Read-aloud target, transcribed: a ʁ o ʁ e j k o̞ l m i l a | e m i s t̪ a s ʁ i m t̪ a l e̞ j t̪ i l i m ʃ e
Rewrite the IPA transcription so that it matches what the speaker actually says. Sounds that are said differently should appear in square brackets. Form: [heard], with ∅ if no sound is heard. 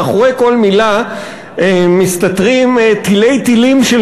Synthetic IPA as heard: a [χ] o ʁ e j k o̞ l m i l a | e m i s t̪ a [t] ʁ i m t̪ [i] l e̞ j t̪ i l i m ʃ e